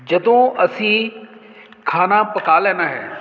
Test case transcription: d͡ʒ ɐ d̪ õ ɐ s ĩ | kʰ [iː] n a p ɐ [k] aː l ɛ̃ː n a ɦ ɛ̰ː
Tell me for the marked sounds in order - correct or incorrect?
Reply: incorrect: aː, correct

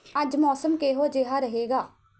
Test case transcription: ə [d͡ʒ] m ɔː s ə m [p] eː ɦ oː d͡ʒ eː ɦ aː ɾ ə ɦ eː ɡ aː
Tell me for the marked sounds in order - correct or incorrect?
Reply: correct, incorrect: k

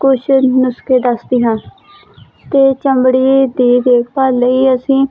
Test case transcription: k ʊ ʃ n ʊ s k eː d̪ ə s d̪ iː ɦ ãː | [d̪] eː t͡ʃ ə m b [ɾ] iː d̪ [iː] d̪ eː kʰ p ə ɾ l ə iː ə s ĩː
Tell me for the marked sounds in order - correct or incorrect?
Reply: incorrect: t̪, incorrect: ɽ, correct

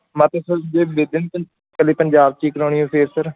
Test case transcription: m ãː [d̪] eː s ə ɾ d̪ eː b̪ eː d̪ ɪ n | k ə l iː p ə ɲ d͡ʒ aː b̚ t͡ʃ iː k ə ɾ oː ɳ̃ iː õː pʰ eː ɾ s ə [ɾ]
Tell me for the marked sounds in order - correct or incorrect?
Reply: incorrect: t̪, correct

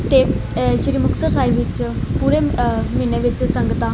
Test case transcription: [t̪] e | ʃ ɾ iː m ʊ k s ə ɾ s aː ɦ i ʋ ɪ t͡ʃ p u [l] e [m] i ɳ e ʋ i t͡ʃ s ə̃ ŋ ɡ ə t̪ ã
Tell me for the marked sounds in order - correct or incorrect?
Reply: correct, incorrect: ɾ, correct

